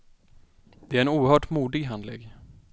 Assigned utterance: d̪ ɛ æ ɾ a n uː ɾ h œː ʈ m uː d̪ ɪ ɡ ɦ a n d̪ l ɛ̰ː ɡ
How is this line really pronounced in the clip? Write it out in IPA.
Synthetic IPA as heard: d̪ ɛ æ ɾ ɛ n uː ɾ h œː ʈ m uː d̪ ɪ ɡ ɦ a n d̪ l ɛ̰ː ɡ